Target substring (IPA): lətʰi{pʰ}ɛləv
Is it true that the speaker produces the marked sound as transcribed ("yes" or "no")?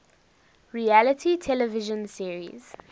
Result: no